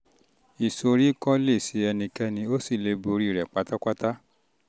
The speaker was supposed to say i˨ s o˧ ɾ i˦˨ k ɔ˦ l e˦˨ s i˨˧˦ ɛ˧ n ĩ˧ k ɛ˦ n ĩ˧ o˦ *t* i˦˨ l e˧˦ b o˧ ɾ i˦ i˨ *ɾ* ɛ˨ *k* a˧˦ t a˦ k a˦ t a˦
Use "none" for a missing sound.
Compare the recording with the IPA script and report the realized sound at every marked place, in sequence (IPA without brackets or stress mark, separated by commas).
s, ɾ, k͡p